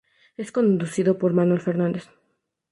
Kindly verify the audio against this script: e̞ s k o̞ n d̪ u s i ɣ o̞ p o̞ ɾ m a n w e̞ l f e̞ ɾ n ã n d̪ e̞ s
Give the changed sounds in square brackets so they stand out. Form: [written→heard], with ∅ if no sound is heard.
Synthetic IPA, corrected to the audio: e̞ s k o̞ n d̪ u s i [ɣ→ð] o̞ p o̞ ɾ m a n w e̞ l f e̞ ɾ n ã n d̪ e̞ s